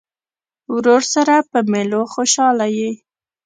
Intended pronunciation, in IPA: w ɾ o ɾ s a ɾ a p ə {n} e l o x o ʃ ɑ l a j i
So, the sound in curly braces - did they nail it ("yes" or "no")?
no